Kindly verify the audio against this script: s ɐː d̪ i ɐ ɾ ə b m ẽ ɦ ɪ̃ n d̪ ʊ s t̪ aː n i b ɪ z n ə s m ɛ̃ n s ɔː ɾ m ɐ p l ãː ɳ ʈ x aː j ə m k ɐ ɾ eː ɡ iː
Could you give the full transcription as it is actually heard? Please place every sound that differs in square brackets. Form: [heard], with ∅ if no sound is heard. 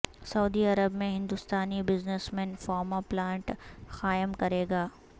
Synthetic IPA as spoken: s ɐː d̪ i ɐ ɾ ə b m ẽ ɦ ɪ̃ n d̪ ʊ s t̪ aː n i b ɪ z n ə s m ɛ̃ n [f] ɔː ɾ m [a] p l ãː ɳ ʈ x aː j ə m k ɐ ɾ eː ɡ [aː]